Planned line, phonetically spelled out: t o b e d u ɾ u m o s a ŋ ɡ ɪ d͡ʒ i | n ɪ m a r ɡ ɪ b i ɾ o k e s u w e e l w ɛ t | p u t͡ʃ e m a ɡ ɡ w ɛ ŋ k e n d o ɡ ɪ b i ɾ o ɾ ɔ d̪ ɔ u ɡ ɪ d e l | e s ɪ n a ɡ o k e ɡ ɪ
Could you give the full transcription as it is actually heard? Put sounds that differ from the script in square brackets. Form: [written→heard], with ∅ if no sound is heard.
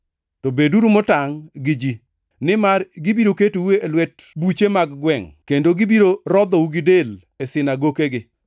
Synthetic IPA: t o b e d u ɾ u m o [s→t] a ŋ ɡ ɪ d͡ʒ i | n ɪ m a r ɡ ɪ b i ɾ o k e [s→t] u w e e l w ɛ t | [p→b] u t͡ʃ e m a ɡ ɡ w ɛ ŋ k e n d o ɡ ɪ b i ɾ o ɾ ɔ d̪ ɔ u ɡ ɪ d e l | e s ɪ n a ɡ o k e ɡ ɪ